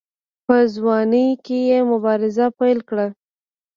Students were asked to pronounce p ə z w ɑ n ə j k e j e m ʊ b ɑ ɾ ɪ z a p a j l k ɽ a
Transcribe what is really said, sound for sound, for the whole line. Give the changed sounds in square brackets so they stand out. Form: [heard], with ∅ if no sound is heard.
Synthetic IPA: p ə z w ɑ n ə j k e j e m ʊ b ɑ ɾ ɪ z a p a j l k ɽ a

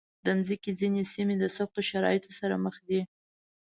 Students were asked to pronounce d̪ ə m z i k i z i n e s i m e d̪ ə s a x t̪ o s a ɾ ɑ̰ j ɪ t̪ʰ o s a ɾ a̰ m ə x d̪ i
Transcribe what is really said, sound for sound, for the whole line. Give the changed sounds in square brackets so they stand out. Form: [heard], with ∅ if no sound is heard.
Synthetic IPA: d̪ ə m z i k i z i n e s i m e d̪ ə s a x t̪ o [ʃ] a ɾ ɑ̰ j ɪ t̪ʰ o s a ɾ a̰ m ə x d̪ i

